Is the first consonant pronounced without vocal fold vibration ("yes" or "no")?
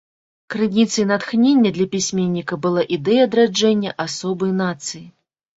yes